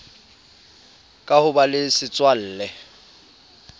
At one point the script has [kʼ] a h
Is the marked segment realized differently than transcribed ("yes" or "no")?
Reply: no